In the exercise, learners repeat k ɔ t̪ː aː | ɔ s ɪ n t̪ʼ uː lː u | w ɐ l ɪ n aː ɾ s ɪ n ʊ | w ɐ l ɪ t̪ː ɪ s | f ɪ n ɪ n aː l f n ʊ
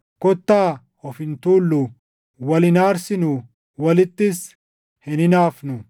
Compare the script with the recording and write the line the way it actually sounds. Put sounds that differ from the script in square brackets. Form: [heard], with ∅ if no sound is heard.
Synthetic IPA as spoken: k ɔ t̪ː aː | ɔ [f] ɪ n [t̪] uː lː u | w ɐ l ɪ n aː ɾ s ɪ n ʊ | w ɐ l ɪ t̪ː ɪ s | [h] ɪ n ɪ n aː [∅] f n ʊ